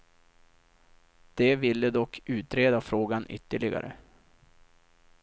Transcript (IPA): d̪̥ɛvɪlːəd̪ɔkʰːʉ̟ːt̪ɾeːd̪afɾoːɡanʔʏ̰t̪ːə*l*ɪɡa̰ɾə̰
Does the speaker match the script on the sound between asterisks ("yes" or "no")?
no